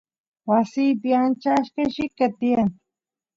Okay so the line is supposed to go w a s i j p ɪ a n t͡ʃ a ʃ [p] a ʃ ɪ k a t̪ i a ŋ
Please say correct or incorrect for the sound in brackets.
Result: incorrect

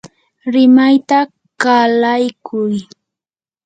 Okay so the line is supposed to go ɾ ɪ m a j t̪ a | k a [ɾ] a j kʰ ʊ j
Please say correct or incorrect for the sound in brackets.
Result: incorrect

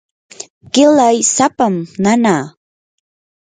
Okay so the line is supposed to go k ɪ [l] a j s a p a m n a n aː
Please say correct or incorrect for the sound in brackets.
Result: correct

